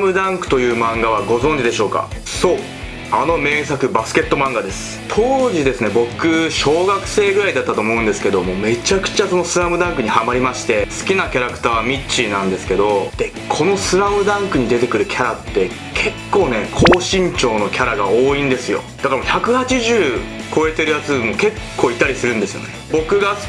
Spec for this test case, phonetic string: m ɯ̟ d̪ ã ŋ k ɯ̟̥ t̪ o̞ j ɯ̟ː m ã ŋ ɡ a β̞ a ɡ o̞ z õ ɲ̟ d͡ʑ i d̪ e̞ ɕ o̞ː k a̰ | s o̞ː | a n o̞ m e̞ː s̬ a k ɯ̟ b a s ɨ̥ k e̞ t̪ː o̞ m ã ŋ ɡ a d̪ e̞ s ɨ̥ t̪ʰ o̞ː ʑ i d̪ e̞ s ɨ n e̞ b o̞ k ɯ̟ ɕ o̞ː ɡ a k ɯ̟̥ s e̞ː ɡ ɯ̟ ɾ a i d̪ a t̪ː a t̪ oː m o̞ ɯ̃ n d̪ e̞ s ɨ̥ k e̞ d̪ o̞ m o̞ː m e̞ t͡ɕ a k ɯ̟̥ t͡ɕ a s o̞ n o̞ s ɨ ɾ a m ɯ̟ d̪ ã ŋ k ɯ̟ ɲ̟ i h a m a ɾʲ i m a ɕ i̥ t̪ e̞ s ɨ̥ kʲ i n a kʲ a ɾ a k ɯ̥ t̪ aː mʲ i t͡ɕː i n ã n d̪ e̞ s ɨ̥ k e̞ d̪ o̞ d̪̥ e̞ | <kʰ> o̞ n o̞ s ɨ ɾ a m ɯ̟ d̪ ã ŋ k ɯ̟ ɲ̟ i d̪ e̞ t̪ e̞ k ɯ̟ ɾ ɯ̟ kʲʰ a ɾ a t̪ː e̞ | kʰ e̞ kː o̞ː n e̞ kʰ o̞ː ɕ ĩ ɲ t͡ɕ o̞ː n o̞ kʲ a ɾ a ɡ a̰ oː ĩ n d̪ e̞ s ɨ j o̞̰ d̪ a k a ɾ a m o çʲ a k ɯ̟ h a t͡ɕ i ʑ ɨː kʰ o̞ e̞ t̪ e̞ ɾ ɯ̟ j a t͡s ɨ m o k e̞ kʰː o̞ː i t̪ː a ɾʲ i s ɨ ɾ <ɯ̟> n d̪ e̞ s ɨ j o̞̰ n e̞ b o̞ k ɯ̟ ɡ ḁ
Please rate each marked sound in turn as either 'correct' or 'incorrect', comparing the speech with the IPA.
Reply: correct, incorrect: ɯ̟̃

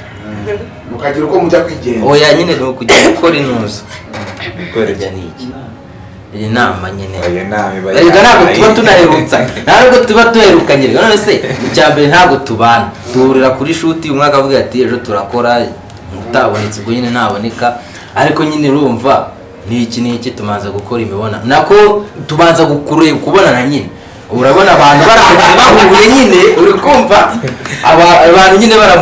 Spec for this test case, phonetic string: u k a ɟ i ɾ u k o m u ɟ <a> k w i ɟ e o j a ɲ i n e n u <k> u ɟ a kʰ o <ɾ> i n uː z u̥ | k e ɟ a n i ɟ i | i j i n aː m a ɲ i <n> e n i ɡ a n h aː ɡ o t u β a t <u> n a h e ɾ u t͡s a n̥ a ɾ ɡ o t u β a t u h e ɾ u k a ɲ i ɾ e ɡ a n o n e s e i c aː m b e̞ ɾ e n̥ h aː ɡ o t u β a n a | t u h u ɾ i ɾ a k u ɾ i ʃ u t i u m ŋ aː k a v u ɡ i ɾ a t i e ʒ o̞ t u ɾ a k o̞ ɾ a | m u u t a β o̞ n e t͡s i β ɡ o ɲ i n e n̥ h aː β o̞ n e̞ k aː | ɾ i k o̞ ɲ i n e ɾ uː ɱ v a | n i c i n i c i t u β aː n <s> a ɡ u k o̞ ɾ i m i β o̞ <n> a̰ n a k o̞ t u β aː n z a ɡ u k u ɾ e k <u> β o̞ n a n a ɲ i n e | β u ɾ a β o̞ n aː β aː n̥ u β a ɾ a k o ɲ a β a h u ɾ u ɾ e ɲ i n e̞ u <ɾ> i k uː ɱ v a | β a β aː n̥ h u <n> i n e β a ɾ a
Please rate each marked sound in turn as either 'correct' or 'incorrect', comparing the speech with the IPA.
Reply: correct, correct, correct, correct, correct, incorrect: z, correct, correct, correct, incorrect: ɲ

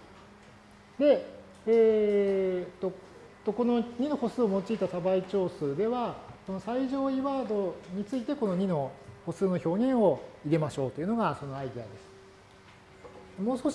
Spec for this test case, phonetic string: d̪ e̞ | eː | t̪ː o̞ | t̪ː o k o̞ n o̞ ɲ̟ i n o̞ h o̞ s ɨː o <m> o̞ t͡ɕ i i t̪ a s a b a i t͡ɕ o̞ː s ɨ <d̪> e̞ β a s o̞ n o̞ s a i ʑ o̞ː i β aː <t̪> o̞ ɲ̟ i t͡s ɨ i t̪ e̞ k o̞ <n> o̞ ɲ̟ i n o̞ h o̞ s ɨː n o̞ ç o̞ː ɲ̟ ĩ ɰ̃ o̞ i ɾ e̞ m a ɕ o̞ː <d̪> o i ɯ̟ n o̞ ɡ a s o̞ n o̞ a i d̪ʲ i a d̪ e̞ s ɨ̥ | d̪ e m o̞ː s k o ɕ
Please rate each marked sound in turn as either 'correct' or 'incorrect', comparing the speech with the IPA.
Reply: correct, correct, incorrect: d̪, correct, incorrect: t̪

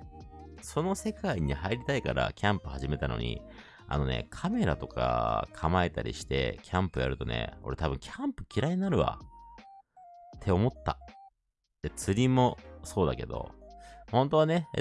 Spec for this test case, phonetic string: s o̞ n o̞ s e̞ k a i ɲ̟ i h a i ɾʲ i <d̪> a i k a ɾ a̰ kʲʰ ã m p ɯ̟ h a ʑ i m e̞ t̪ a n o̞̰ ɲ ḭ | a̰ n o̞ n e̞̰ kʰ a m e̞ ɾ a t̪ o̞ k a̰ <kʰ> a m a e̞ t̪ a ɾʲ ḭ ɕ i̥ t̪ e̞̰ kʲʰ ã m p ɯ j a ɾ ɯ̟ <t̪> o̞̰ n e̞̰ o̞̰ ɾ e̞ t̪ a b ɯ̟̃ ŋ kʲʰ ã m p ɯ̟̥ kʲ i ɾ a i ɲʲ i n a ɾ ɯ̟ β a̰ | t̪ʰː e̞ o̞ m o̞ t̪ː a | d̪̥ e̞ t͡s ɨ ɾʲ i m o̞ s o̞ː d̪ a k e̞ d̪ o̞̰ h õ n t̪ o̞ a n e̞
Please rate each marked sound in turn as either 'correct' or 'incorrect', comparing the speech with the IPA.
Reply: incorrect: t̪, correct, correct

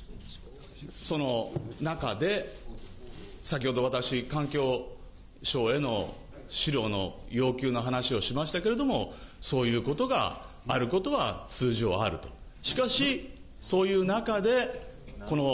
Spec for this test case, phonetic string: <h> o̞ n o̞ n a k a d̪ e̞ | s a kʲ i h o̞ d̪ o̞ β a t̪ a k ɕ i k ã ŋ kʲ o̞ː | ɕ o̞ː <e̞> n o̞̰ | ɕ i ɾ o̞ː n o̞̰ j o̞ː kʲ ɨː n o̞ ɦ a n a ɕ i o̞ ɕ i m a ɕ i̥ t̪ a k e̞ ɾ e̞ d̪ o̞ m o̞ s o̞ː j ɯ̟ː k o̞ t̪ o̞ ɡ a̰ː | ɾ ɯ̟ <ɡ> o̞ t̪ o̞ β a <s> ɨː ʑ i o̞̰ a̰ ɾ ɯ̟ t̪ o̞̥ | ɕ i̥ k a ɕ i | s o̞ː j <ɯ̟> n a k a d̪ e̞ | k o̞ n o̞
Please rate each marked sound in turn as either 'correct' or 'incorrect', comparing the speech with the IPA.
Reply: incorrect: s, correct, incorrect: k, incorrect: t͡s, incorrect: ɯ̟ː

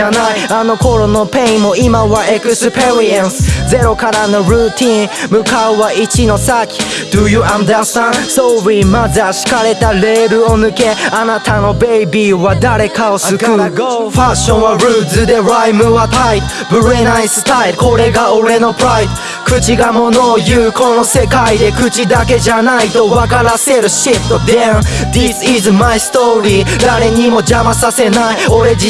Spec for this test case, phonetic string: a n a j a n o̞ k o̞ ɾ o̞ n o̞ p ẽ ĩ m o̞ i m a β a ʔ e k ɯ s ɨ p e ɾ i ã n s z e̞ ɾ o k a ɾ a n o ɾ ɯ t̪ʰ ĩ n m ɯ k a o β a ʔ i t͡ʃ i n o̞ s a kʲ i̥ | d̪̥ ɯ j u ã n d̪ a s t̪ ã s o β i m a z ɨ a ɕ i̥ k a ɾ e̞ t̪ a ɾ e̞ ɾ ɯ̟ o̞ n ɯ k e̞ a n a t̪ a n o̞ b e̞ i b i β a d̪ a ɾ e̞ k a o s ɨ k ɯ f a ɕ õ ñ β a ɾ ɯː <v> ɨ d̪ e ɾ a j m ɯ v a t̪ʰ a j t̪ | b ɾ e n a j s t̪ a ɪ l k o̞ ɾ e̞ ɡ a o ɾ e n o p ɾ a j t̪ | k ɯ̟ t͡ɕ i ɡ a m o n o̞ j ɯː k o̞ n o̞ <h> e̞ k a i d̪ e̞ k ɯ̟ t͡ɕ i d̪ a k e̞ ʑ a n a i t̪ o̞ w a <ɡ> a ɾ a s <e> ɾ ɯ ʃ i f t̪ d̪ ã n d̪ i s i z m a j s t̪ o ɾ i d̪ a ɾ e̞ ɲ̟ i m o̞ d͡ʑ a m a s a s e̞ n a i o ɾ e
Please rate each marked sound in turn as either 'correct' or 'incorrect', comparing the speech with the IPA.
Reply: incorrect: z, incorrect: s, incorrect: k, correct

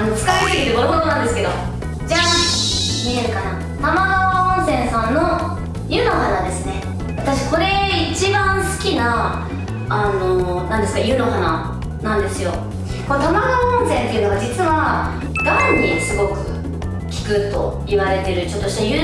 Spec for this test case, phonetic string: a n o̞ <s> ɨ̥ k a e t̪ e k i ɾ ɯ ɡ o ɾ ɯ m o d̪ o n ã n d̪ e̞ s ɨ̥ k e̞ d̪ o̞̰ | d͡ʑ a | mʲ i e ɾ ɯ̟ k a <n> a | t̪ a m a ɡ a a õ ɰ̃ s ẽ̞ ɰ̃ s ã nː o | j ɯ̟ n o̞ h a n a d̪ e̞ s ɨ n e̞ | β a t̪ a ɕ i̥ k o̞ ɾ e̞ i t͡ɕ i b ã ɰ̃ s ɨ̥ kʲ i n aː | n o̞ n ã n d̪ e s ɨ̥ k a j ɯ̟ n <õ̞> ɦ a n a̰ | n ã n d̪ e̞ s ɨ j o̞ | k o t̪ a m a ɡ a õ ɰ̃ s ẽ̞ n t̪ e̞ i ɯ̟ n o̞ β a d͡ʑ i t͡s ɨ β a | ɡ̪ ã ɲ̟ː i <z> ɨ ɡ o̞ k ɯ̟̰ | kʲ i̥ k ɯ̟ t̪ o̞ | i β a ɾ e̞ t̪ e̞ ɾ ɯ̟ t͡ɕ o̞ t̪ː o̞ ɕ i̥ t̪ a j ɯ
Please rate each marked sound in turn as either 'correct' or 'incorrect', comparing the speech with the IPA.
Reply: incorrect: t͡s, correct, incorrect: o̞, incorrect: s

